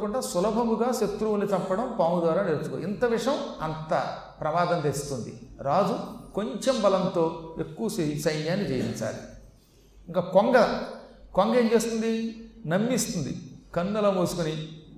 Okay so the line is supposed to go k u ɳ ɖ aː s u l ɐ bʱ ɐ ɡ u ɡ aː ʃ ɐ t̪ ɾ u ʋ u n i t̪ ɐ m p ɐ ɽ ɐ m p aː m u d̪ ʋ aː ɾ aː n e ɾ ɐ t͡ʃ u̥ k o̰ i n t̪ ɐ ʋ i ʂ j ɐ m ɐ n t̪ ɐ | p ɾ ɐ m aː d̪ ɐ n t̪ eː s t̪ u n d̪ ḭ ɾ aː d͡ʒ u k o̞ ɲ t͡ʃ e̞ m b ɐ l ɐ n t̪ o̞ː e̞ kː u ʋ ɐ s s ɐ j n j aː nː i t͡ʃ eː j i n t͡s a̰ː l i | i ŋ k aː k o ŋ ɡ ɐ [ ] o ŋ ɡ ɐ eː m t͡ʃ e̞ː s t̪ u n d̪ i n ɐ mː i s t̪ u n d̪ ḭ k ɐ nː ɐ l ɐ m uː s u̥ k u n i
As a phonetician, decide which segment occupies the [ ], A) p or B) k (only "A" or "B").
B